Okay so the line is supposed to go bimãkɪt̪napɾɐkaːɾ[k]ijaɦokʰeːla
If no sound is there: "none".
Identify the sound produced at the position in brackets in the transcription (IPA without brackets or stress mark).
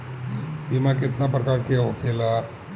k